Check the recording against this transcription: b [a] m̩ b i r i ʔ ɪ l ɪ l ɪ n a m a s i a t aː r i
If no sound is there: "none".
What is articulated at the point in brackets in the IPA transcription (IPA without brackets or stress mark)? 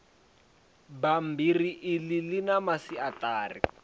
a